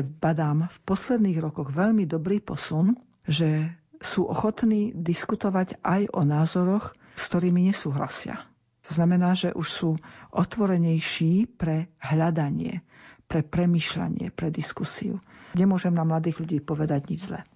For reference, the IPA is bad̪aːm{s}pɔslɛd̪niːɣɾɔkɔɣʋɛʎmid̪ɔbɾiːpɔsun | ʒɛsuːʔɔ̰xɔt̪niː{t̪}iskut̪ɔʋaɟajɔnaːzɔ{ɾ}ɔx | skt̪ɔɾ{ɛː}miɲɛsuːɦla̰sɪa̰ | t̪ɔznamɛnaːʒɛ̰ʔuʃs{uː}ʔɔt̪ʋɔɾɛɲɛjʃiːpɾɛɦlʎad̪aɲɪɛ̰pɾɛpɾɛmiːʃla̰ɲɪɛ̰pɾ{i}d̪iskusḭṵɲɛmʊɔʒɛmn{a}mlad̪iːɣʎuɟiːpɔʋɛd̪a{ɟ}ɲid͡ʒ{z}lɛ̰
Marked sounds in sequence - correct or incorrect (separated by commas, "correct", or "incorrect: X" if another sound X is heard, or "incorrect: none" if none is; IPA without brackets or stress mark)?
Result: incorrect: f, incorrect: d̪, correct, incorrect: iː, correct, incorrect: ɛ, correct, correct, correct